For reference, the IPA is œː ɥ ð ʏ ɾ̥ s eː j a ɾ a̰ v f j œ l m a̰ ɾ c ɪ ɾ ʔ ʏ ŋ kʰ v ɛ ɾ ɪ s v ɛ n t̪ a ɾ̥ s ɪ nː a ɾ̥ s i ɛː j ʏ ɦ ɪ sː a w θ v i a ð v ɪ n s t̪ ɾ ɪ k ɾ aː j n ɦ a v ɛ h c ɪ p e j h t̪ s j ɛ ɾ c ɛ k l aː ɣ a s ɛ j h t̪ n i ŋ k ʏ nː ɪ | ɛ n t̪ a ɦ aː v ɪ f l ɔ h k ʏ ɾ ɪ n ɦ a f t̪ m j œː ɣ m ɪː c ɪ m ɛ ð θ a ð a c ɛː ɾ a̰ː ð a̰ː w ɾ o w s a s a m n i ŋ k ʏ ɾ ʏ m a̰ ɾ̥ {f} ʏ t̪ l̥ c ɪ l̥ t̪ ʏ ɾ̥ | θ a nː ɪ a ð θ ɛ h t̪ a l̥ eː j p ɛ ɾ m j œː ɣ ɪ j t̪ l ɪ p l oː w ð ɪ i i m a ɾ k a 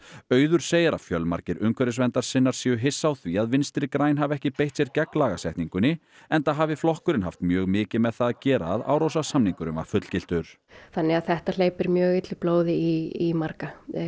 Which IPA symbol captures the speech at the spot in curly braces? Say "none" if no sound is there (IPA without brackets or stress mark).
f